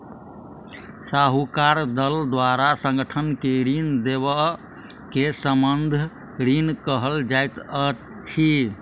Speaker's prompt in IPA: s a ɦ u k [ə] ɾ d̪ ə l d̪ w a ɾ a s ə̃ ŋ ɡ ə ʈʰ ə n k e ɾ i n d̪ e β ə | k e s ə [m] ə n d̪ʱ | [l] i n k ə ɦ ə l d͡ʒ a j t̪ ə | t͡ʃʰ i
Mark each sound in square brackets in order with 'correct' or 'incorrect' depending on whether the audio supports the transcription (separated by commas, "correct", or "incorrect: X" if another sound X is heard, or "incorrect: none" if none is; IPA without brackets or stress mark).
incorrect: a, correct, incorrect: ɾ